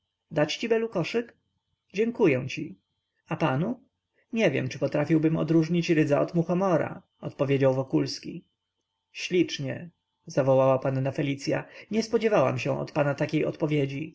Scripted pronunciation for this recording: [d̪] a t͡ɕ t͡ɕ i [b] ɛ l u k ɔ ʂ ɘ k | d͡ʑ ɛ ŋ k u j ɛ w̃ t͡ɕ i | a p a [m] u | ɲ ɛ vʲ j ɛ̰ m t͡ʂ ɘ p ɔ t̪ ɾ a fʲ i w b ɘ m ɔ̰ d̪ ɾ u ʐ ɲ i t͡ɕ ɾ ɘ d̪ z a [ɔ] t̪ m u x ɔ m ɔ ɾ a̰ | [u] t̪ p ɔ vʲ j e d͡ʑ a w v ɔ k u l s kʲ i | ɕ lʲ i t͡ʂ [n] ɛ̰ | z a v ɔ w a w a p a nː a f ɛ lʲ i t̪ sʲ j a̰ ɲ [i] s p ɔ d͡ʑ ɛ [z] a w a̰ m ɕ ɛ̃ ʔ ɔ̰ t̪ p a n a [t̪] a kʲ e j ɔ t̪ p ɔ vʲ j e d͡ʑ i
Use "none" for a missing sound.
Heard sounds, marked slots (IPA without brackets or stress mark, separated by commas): d̪, b, n, ɔ, ɔ, ɲ, ɛ, v, t̪